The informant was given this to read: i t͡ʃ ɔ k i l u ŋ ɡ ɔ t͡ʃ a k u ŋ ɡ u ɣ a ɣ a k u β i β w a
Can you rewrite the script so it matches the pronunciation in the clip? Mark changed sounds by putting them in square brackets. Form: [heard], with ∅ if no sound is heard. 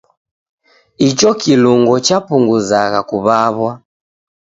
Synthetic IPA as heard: i t͡ʃ ɔ k i l u ŋ ɡ ɔ t͡ʃ a [p] u ŋ ɡ u [z] a ɣ a k u β [a] β w a